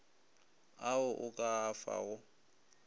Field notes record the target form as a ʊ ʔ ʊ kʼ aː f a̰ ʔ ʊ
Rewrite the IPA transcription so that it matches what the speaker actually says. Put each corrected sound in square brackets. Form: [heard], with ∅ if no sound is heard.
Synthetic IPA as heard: a ʊ ʔ ʊ kʼ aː f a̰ [∅] ʊ